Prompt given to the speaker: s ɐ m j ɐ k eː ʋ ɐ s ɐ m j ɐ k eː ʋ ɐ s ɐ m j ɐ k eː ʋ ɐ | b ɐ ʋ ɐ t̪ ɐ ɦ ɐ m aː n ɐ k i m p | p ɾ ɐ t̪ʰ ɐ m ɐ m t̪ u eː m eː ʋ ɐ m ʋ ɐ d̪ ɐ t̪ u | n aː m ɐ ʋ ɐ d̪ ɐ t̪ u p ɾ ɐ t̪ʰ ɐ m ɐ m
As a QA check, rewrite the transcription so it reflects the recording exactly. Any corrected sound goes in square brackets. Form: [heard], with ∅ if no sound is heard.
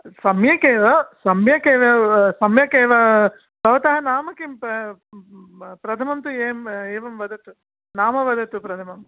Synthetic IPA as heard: s ɐ m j ɐ k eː ʋ ɐ s ɐ m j ɐ k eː ʋ ɐ s ɐ m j ɐ k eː ʋ ɐ | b ɐ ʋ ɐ t̪ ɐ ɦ ɐ [n] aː [m] ɐ k i m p | p ɾ ɐ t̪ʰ ɐ m ɐ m t̪ u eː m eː ʋ ɐ m ʋ ɐ d̪ ɐ t̪ u | n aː m ɐ ʋ ɐ d̪ ɐ t̪ u p ɾ ɐ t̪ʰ ɐ m ɐ m